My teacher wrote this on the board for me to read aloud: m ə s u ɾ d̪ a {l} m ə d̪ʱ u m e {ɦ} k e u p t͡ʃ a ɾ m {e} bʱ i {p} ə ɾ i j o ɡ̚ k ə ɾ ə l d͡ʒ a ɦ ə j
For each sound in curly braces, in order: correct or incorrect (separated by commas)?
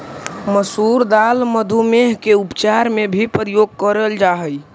correct, correct, correct, correct